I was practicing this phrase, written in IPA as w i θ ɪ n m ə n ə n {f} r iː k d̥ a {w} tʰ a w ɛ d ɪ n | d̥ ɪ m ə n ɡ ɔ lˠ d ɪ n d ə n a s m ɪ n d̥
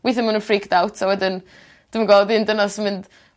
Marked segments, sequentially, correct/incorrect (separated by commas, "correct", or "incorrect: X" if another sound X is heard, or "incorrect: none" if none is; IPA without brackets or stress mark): correct, correct